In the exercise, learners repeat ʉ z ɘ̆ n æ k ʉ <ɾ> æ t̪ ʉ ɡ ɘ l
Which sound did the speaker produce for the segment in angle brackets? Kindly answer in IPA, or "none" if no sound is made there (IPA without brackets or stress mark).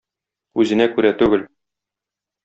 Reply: ɾ